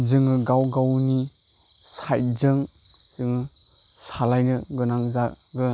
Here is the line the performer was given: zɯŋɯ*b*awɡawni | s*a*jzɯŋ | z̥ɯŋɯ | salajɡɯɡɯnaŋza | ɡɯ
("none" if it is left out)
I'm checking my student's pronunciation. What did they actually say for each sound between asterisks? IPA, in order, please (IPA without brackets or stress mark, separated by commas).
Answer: ɡ, a